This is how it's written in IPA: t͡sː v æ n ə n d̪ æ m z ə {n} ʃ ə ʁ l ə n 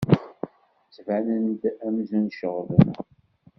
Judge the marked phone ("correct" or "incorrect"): correct